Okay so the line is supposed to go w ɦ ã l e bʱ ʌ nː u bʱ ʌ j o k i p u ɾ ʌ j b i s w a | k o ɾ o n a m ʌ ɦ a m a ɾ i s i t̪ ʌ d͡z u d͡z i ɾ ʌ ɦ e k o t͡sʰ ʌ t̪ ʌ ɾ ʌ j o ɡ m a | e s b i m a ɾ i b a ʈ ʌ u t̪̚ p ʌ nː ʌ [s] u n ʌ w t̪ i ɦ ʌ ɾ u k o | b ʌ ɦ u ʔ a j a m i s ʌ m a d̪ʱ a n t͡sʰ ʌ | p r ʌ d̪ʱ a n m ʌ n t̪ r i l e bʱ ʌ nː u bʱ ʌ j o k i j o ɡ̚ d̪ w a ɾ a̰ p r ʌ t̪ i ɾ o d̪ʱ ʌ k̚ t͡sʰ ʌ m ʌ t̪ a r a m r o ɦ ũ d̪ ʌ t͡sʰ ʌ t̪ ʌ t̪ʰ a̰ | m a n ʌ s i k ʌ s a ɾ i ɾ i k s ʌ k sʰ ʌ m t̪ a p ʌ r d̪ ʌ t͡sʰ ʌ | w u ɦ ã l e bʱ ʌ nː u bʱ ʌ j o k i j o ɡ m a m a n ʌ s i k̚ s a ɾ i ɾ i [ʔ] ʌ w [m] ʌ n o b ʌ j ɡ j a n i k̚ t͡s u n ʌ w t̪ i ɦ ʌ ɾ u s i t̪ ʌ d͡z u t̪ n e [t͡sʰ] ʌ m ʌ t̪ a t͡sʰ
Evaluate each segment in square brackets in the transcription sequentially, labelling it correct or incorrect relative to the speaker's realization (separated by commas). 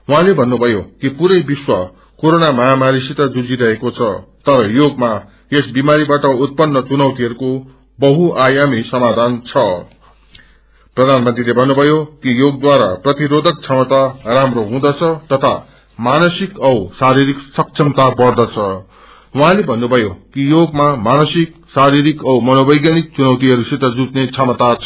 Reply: incorrect, incorrect, correct, correct